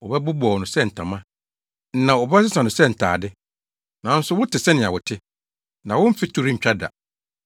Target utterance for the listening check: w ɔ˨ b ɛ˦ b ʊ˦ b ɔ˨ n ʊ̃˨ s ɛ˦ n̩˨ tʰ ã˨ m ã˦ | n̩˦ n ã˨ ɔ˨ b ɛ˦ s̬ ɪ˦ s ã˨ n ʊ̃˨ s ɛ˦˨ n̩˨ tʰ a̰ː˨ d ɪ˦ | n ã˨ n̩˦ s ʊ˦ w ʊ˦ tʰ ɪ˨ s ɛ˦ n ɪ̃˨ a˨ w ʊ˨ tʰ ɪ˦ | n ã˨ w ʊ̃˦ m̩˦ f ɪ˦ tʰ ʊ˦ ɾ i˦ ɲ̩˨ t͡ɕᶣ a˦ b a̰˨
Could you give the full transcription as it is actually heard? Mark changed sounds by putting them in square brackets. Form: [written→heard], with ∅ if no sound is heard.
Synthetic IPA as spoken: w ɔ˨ b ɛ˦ b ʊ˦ b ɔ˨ n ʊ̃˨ s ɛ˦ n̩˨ tʰ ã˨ m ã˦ | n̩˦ n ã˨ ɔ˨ b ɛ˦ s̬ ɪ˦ s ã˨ n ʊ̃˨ s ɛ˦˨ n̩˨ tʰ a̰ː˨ d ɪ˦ | n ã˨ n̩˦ s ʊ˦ w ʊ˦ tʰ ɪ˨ s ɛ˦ n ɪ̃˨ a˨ w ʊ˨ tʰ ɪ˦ | n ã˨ w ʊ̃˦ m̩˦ f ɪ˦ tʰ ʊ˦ ɾ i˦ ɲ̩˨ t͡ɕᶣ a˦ [b→d] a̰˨